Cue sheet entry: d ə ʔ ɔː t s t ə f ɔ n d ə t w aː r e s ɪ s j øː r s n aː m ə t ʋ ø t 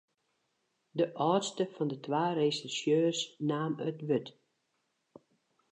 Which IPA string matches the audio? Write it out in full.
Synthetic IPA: d ə ʔ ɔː t s t ə f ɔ n d ə t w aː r e s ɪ s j øː r s n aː m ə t ʋ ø t